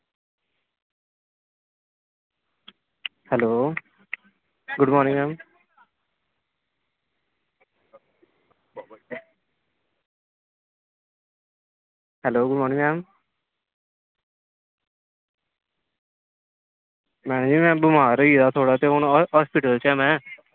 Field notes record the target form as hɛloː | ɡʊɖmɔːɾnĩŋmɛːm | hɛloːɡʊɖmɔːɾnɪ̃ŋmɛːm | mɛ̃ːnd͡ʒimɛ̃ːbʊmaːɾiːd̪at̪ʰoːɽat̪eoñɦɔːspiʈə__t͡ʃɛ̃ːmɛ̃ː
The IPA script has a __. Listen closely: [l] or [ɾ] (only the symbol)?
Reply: l